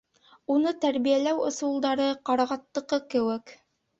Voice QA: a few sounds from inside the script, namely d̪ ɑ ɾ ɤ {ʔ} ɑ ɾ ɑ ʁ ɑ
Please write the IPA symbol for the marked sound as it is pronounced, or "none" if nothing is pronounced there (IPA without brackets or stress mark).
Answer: q